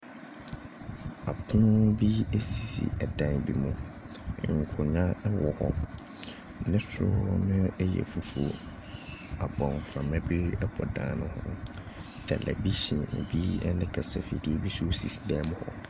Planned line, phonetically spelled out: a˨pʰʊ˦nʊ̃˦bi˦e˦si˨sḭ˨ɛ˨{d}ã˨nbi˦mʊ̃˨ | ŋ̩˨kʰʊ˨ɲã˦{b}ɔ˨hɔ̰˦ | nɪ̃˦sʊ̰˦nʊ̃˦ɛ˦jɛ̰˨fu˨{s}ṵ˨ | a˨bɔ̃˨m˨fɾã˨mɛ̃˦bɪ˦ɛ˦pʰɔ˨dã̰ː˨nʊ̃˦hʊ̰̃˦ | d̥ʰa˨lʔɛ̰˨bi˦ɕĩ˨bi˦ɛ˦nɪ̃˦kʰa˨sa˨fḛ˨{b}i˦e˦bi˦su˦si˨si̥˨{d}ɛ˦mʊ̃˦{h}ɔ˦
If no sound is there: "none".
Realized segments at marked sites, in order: d, w, f, d, d, h

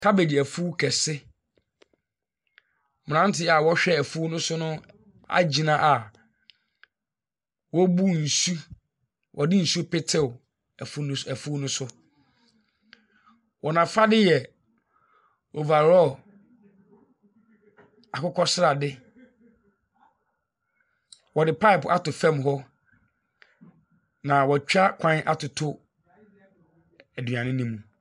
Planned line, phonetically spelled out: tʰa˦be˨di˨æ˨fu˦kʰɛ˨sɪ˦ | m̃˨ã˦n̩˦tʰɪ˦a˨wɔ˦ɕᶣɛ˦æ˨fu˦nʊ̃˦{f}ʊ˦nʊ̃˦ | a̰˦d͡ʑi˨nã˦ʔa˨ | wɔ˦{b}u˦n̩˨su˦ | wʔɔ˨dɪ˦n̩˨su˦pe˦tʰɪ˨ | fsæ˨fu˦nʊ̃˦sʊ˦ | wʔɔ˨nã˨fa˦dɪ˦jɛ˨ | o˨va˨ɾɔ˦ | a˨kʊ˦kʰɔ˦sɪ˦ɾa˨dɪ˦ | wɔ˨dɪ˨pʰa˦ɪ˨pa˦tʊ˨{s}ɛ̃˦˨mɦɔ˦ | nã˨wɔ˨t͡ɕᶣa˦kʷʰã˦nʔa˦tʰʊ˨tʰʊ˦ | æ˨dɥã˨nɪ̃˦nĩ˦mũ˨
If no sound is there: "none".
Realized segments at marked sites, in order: s, b, f

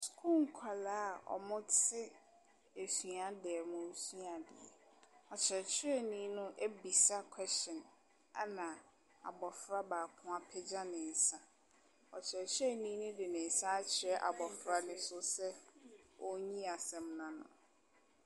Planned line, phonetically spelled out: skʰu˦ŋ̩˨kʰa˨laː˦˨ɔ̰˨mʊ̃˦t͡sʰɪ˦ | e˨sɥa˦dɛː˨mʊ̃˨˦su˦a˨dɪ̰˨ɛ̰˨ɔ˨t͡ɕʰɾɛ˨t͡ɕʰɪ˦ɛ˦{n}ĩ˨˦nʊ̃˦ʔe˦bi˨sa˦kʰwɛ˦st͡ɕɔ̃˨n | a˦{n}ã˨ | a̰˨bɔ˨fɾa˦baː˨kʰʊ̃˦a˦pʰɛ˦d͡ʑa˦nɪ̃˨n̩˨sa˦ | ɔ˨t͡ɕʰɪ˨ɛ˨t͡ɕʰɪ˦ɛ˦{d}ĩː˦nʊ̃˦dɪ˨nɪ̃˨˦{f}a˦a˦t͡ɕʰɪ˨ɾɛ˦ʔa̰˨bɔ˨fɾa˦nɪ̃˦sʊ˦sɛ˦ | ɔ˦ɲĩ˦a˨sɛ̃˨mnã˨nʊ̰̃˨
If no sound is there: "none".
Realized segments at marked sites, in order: n, n, n, s

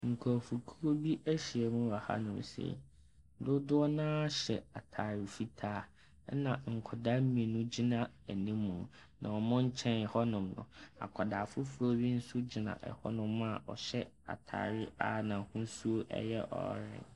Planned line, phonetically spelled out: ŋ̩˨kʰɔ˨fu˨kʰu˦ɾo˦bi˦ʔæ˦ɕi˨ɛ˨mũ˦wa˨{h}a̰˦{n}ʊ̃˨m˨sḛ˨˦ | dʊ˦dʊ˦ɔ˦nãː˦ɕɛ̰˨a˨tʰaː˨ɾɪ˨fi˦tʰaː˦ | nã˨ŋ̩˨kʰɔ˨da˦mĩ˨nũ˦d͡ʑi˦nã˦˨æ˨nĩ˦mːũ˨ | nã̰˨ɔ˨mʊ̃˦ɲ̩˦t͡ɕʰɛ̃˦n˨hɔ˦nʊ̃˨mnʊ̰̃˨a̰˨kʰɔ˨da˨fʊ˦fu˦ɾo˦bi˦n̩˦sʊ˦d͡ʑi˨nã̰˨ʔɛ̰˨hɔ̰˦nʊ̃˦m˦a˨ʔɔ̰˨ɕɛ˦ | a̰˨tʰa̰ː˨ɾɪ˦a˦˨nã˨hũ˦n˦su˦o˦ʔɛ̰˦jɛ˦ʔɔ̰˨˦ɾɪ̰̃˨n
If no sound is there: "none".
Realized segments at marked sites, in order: h, n

